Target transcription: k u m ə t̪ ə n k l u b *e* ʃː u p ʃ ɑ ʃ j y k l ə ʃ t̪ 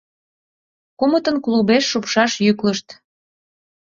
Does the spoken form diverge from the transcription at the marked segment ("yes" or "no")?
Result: no